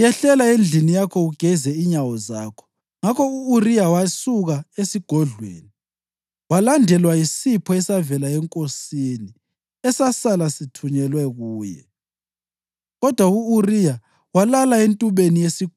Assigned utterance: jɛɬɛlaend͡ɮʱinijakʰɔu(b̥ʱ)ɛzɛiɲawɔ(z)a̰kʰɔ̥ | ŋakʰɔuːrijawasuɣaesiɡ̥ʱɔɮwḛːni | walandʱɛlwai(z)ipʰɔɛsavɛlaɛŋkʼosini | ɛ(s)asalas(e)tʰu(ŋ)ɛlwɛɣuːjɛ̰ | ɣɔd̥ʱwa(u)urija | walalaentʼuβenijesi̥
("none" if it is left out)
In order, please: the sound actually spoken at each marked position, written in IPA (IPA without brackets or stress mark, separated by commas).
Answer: ɡ̥ʱ, z, s, s, i, ɲ, u